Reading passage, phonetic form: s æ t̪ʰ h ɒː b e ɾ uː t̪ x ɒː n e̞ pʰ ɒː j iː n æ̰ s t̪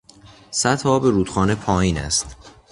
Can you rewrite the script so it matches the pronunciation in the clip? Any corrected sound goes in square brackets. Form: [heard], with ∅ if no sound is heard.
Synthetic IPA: s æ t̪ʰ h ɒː b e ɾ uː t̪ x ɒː n e̞ pʰ ɒː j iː n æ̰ s t̪